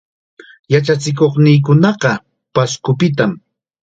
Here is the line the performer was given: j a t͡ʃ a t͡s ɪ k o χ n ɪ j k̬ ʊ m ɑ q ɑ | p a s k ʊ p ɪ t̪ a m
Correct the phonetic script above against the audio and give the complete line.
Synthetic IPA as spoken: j a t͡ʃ a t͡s ɪ k o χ n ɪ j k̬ ʊ n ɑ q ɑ | p a s k ʊ p ɪ t̪ a m

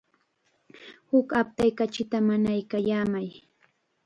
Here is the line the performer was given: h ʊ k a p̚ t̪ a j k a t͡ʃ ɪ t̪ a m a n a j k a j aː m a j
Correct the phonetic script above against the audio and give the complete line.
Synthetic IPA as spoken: h ʊ k a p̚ t̪ a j k a t͡ʃ ɪ t̪ a m a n a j k a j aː m a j

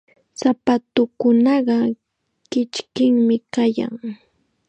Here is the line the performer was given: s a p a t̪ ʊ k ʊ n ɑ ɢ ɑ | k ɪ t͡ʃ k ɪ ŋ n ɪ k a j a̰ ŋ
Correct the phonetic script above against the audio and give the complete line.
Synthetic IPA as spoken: s a p a t̪ ʊ k ʊ n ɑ ɢ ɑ | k ɪ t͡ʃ k ɪ ŋ m ɪ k a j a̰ ŋ

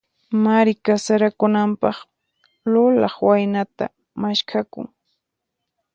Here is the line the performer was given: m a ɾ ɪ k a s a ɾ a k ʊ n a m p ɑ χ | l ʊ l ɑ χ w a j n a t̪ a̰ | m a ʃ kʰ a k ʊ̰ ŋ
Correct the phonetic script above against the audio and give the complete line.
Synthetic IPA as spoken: m a ɾ ɪ k a s a ɾ a k ʊ n a m p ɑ χ | l ʊ l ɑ χ w a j n a t̪ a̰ | m a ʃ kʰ a k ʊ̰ ŋ

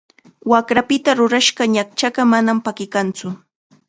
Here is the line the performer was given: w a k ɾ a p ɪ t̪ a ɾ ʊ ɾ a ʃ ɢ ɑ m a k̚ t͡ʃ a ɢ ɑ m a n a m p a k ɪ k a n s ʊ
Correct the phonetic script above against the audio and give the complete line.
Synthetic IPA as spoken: w a k ɾ a p ɪ t̪ a ɾ ʊ ɾ a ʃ ɢ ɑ ɲ a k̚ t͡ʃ a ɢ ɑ m a n a m p a k ɪ k a n t͡s ʊ

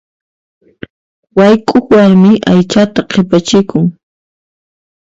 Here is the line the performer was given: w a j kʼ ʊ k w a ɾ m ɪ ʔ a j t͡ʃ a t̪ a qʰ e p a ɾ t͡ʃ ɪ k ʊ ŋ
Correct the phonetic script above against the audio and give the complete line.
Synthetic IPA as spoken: w a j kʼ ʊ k w a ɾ m ɪ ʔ a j t͡ʃ a t̪ a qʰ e p a t͡ʃ ɪ k ʊ ŋ

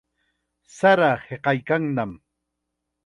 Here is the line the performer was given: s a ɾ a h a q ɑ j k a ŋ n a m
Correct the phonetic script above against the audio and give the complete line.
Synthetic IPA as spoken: s a ɾ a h e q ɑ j k a ŋ n a m

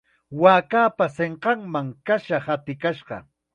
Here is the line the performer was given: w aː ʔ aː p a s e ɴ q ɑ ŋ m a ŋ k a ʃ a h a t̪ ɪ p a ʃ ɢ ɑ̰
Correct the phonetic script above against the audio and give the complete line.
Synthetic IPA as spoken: w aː k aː p a s e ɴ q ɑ ŋ m a ŋ k a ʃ a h a t̪ ɪ k a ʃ ɢ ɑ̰

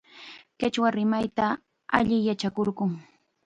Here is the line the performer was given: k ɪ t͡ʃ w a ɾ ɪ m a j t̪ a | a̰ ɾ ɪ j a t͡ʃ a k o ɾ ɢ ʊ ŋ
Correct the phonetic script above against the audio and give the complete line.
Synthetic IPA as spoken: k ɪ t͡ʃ w a ɾ ɪ m a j t̪ a | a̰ ʎ ɪ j a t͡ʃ a k o ɾ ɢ ʊ ŋ

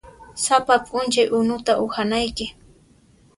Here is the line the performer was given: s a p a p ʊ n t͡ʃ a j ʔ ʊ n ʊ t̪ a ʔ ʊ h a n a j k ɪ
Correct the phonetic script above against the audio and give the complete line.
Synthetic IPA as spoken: s a p a pʼ ʊ n t͡ʃ a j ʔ ʊ n ʊ t̪ a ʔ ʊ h a n a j k ɪ

